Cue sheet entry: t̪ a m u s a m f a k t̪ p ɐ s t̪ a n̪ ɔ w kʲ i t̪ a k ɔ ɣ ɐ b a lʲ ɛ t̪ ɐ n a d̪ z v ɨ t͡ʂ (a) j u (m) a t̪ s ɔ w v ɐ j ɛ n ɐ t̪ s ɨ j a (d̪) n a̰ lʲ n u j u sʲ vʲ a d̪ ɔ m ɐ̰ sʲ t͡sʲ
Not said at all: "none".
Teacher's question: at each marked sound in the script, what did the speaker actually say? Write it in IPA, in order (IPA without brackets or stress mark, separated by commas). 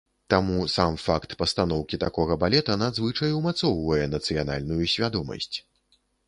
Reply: ɐ, m, none